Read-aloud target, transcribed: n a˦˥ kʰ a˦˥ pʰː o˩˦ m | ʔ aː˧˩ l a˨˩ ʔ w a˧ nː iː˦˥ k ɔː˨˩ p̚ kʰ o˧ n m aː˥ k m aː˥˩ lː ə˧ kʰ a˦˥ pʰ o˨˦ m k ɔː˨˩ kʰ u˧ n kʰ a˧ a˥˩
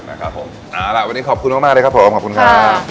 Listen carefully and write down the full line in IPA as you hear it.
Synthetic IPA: n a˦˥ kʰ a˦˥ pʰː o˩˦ m | ʔ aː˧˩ l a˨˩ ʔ w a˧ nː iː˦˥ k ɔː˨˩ p̚ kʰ u˧ n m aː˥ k m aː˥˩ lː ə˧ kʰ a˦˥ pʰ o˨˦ m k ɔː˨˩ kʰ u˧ n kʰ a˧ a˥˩